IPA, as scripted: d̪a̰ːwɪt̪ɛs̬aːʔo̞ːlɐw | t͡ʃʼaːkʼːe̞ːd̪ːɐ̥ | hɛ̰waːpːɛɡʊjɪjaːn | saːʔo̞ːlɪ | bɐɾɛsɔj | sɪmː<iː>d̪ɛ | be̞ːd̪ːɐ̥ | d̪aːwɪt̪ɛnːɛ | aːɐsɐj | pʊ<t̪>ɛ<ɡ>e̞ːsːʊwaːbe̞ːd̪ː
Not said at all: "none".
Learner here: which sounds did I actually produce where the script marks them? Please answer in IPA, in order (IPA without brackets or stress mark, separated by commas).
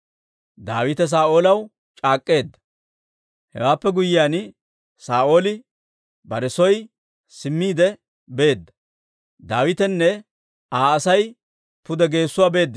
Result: iː, d̪, ɡ